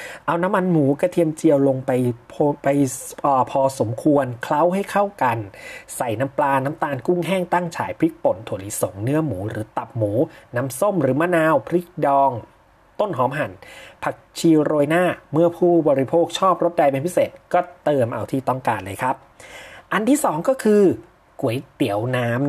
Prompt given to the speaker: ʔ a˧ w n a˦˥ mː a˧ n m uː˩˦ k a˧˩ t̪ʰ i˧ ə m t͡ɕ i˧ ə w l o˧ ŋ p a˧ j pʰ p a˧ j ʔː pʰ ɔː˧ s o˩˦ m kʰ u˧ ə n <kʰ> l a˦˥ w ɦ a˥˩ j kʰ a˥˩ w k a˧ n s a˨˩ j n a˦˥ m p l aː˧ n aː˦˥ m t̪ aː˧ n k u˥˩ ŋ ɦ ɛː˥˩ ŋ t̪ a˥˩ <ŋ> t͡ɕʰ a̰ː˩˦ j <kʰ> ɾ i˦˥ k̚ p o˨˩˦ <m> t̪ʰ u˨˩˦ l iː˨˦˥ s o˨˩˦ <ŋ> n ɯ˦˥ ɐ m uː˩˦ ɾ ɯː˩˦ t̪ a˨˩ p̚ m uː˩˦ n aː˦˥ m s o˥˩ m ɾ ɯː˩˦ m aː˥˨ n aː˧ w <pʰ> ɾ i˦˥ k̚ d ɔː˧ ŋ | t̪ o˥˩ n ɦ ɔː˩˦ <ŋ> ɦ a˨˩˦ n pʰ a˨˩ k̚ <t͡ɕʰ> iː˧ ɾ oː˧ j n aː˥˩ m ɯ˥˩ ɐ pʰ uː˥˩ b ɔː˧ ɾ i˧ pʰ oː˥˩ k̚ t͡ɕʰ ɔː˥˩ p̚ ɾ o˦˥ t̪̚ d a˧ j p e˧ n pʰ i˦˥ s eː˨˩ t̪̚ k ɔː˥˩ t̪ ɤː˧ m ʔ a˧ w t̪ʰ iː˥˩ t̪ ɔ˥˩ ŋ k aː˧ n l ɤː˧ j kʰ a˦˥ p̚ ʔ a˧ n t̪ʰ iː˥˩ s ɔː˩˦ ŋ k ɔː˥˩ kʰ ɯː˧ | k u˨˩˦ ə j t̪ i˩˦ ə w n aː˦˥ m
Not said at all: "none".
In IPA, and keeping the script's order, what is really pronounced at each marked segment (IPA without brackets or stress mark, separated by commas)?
kʰ, ŋ, pʰ, n, ŋ, pʰ, m, t͡ɕʰ